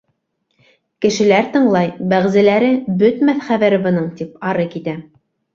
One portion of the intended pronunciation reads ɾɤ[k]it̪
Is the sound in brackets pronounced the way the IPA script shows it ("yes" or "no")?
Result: yes